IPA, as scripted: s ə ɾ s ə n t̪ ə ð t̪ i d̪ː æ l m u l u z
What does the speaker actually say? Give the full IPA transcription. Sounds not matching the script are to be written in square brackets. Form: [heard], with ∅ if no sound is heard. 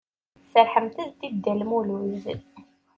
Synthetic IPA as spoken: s ə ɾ [ħ] ə [m] t̪ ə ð t̪ i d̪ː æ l m u l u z